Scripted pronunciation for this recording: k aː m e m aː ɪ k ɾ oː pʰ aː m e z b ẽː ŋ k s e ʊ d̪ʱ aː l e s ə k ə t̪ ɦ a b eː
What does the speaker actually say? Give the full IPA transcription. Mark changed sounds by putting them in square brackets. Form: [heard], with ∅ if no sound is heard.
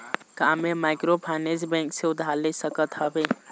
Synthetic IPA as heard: k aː m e m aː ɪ k ɾ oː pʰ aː [n] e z b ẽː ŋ k s e ʊ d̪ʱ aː l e s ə k ə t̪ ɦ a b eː

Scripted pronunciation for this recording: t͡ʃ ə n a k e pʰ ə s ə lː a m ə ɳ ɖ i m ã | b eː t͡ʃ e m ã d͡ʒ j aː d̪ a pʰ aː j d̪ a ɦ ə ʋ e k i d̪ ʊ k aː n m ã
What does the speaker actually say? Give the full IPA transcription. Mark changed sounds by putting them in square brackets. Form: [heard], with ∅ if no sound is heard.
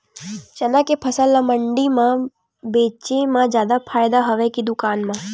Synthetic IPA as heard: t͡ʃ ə n a k e pʰ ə s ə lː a m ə ɳ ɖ i m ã | b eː t͡ʃ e m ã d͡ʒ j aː d̪ a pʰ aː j d̪ a ɦ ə ʋ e k i d̪ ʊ k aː n m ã

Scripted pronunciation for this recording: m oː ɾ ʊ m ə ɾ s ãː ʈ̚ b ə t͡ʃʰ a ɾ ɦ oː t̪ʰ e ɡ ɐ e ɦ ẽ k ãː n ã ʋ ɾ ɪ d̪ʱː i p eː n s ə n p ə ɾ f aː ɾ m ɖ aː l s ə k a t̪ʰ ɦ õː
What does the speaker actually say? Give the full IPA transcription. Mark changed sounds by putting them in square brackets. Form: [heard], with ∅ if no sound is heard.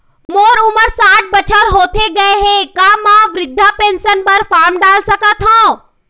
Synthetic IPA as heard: m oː ɾ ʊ m ə ɾ s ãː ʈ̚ b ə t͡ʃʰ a ɾ ɦ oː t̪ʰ e ɡ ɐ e ɦ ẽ k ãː [m] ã ʋ ɾ ɪ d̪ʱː [a] p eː n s ə n p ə ɾ f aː ɾ m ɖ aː l s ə k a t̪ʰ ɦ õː

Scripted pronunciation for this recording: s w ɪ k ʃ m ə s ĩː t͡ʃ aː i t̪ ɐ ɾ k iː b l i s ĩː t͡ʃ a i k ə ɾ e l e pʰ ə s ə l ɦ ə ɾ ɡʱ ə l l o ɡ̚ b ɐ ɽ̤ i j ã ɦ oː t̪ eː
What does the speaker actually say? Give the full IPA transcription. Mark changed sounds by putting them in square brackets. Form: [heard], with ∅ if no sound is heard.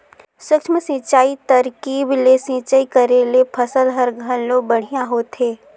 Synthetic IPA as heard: s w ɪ k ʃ m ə s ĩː t͡ʃ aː i t̪ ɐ ɾ k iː b l [e] s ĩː t͡ʃ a i k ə ɾ e l e pʰ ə s ə l ɦ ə ɾ ɡʱ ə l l o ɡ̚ b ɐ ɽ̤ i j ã ɦ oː t̪ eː

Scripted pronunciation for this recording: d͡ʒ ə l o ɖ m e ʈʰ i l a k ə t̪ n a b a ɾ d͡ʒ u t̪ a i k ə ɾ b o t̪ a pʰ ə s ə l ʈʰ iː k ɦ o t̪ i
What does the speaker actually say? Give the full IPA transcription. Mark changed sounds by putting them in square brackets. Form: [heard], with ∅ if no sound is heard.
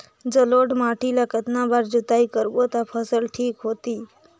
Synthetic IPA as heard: d͡ʒ ə l o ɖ m [a] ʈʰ i l a k ə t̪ n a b a ɾ d͡ʒ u t̪ a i k ə ɾ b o t̪ a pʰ ə s ə l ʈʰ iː k ɦ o t̪ i

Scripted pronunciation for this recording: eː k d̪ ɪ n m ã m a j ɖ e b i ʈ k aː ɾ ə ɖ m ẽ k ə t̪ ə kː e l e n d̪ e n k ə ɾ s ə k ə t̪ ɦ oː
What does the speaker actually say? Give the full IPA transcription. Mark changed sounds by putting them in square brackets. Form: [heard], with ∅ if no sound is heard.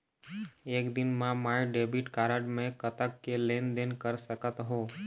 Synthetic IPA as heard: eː k d̪ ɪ n m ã m a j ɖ e b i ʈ k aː ɾ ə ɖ m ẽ k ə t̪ ə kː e l e n d̪ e n k ə ɾ s ə k ə t̪ ɦ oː

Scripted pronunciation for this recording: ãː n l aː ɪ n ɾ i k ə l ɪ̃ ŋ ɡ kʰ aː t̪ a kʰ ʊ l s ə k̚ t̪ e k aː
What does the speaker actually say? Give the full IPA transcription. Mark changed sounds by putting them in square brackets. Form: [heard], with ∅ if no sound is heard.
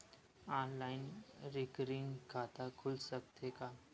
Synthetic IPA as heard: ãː n l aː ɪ n ɾ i k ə [ɾ] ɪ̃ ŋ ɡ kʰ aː t̪ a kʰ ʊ l s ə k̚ t̪ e k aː

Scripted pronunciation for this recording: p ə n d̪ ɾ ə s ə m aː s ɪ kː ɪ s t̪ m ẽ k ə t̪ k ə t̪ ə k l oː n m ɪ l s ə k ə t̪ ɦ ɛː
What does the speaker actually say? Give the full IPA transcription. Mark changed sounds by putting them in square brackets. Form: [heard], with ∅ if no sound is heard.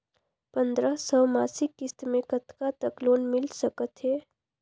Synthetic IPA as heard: p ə n d̪ ɾ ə s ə m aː s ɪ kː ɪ s t̪ m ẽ k ə t̪ k [a] t̪ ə k l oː n m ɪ l s ə k ə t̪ ɦ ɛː

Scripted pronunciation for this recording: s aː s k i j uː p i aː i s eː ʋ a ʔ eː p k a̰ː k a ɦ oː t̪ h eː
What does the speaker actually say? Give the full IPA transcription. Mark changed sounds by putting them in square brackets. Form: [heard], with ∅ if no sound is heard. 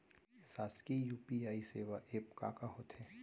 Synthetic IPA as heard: s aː s k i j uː p i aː i s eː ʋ a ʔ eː p k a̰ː k a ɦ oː t̪ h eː

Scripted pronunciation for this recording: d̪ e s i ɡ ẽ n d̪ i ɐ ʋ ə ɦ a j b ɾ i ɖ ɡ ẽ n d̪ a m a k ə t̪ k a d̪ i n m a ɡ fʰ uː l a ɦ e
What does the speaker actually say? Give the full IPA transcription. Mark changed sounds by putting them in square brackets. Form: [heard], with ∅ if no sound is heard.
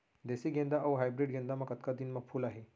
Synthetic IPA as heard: d̪ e s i ɡ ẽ n d̪ [a] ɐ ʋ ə ɦ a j b ɾ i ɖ ɡ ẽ n d̪ a m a k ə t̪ k a d̪ i n m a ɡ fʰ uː l a ɦ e

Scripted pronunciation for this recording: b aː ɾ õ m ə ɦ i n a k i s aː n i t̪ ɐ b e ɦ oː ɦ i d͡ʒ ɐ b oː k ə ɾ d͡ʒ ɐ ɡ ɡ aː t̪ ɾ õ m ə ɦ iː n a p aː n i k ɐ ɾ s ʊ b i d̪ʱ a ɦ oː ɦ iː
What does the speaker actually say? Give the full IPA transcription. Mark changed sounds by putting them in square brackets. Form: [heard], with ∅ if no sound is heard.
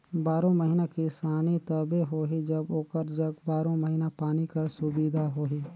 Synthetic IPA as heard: b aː ɾ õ m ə ɦ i n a k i s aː n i t̪ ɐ b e ɦ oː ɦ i d͡ʒ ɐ b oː k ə ɾ d͡ʒ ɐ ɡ [b] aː [∅] ɾ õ m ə ɦ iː n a p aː n i k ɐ ɾ s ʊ b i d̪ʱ a ɦ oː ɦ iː

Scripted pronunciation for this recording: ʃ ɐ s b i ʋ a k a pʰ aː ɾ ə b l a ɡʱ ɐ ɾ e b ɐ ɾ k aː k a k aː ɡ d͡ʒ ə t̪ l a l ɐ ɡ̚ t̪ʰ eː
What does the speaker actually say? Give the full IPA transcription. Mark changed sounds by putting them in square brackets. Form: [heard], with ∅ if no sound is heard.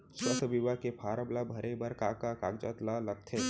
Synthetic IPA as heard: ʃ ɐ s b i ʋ a k [e] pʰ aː ɾ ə b l a [bʱ] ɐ ɾ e b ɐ ɾ k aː k a k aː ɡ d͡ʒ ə t̪ l a l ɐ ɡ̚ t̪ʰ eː

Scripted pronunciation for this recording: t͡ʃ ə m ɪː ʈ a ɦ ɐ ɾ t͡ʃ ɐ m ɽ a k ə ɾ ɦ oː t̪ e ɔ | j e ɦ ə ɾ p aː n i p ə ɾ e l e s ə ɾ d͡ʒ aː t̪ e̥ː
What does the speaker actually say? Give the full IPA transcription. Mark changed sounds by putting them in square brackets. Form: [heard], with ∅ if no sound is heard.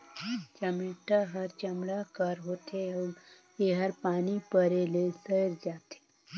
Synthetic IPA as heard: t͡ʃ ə m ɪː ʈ a ɦ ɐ ɾ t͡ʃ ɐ m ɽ a k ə ɾ ɦ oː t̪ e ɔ | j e ɦ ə ɾ p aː n i p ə ɾ e l e s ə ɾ d͡ʒ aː t̪ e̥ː

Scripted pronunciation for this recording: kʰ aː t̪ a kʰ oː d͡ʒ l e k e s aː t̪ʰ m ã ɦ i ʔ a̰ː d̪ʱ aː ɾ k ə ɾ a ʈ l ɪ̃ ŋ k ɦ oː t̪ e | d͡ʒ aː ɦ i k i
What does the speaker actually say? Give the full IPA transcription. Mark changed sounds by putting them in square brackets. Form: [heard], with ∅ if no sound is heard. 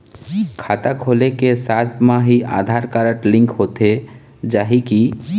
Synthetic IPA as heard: kʰ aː t̪ a kʰ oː [∅] l e k e s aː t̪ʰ m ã ɦ i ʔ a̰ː d̪ʱ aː ɾ k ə ɾ [ə] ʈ l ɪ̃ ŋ k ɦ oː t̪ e | d͡ʒ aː ɦ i k i

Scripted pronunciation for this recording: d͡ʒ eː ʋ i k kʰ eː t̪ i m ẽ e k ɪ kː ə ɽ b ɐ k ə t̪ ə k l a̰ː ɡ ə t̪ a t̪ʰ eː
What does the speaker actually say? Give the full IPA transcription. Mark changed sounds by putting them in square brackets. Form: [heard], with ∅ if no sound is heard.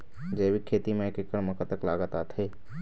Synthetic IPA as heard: d͡ʒ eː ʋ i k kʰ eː t̪ i m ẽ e k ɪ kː ə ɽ [m] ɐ k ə t̪ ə k l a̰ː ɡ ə t̪ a t̪ʰ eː

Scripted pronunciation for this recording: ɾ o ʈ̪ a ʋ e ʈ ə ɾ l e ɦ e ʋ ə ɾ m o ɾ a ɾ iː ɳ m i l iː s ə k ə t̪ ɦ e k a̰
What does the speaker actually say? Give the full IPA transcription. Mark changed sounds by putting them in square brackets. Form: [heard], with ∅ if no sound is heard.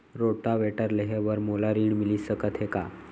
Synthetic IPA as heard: ɾ o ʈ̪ a ʋ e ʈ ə ɾ l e ɦ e ʋ ə ɾ m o [l] a ɾ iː ɳ m i l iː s ə k ə t̪ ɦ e k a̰

